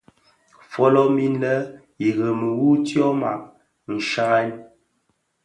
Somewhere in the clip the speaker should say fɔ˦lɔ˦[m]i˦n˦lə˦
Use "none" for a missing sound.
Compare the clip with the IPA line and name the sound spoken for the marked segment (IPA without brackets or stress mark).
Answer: m